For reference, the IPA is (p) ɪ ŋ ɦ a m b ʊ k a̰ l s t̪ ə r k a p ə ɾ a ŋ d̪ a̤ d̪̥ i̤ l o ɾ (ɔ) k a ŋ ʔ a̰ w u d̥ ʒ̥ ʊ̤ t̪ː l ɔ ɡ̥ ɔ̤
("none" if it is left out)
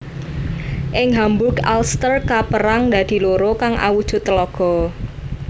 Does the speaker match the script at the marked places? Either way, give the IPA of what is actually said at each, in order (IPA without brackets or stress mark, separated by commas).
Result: ʔ, o